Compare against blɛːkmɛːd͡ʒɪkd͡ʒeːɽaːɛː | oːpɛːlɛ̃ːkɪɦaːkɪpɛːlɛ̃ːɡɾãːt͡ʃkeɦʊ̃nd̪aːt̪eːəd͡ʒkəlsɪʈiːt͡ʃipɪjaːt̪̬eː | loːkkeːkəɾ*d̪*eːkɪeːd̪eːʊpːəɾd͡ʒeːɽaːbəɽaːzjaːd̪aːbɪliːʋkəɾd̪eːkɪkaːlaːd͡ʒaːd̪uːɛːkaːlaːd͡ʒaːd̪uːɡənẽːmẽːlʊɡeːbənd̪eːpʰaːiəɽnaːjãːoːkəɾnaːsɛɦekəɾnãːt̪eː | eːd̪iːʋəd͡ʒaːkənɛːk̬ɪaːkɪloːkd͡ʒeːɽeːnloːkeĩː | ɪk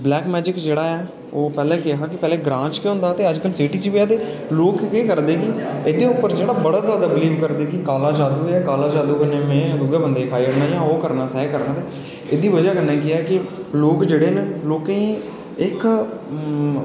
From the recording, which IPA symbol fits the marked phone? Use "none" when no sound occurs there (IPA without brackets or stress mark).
d̪